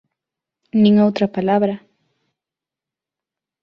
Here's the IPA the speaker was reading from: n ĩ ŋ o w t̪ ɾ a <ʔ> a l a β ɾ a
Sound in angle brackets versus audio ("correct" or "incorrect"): incorrect